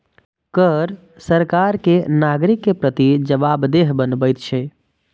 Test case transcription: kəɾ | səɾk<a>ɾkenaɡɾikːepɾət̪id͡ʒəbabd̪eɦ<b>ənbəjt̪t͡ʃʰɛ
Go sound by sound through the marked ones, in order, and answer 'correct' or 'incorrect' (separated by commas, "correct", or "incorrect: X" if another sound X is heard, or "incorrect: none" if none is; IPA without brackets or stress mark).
correct, correct